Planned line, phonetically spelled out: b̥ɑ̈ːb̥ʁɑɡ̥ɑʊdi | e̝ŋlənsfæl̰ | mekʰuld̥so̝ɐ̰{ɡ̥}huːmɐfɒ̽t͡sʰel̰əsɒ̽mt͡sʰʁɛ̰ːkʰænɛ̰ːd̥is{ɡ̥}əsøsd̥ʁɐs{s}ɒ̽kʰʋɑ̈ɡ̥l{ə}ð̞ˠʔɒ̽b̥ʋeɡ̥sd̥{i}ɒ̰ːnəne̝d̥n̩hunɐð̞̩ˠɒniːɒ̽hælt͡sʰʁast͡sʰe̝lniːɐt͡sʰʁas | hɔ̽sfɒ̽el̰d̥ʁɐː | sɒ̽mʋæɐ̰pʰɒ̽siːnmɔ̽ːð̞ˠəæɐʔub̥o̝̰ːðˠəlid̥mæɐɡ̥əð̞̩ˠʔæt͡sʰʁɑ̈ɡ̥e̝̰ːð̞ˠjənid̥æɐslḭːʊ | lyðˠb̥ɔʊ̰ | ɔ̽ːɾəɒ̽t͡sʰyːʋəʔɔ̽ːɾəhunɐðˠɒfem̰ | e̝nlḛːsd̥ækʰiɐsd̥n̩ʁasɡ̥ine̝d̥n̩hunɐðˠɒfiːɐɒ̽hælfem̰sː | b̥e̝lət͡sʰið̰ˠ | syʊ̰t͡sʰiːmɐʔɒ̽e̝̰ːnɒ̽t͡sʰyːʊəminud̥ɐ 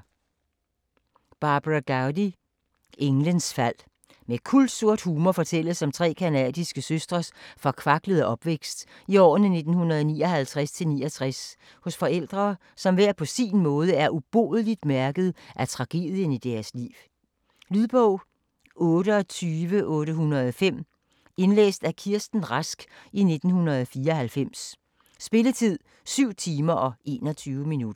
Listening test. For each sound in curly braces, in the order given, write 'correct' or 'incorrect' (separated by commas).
incorrect, correct, incorrect, correct, correct